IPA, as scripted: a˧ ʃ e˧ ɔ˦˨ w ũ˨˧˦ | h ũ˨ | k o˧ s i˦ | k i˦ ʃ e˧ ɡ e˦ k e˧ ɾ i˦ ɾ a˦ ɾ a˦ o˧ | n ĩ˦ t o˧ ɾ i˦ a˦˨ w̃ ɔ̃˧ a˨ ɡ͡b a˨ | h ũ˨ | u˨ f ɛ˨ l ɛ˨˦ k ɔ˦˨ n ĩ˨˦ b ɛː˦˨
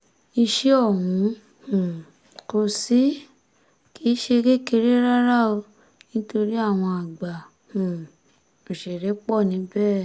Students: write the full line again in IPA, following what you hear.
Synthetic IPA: i˧ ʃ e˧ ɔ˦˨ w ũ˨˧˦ | h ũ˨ | k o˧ s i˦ | k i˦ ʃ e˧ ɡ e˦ k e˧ ɾ e˦ ɾ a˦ ɾ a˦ o˧ | n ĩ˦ t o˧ ɾ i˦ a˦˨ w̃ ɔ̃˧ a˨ ɡ͡b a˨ | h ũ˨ | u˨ ʃ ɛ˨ ɾ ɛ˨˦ k͡p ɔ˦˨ n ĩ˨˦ b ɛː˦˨